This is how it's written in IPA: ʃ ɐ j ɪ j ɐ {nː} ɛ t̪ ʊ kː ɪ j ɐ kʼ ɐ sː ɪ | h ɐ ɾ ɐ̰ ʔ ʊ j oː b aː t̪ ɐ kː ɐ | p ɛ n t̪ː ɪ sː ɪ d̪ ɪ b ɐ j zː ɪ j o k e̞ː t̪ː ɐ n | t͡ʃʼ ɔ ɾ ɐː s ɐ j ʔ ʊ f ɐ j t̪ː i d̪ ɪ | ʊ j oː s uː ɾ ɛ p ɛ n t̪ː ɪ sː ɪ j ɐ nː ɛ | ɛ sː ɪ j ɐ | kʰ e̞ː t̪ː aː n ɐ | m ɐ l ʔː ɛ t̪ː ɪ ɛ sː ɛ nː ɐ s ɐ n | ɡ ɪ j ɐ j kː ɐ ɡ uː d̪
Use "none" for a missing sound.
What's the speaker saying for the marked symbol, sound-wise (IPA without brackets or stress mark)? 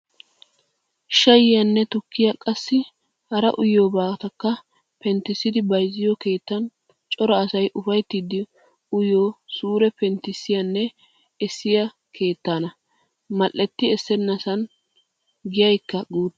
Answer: nː